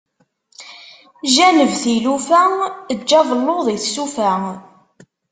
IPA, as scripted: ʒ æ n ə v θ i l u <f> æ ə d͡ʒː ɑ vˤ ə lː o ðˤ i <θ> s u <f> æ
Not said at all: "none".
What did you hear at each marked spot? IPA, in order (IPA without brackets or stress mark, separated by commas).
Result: f, θ, f